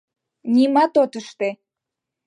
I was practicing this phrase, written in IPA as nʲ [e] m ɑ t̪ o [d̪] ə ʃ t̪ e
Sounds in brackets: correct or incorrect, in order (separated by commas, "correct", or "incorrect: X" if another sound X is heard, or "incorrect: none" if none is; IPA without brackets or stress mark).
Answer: incorrect: i, incorrect: t̪